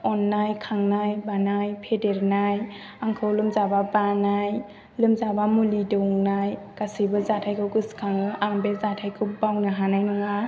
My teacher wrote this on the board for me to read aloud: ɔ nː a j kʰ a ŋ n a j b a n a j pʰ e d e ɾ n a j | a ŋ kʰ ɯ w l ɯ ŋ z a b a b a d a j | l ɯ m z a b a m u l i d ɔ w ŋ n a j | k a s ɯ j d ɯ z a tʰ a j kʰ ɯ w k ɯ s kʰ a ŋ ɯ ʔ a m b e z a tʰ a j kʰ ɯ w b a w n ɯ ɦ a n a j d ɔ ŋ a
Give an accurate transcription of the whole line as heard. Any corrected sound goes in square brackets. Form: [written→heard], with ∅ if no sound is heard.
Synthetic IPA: ɔ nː a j kʰ a ŋ n a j b a n a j pʰ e d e ɾ n a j | a ŋ kʰ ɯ w l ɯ [ŋ→m] z a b a b a [d→n] a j | l ɯ m z a b a m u l i d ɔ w ŋ n a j | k a s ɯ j [d→b] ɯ z a tʰ a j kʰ ɯ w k ɯ s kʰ a ŋ ɯ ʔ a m b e z a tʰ a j kʰ ɯ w b a w n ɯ ɦ a n a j [d→n] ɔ ŋ a